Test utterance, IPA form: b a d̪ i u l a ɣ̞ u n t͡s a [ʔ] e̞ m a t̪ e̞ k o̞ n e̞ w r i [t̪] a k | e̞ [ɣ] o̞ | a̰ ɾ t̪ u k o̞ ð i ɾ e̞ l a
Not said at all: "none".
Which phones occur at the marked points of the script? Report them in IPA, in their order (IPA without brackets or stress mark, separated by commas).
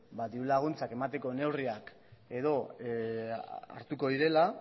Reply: k, none, ð